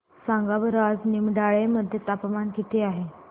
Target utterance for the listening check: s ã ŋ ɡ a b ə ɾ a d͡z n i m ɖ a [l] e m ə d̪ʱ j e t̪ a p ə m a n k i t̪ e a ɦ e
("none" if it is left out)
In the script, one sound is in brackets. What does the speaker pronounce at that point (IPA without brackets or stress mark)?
ɭ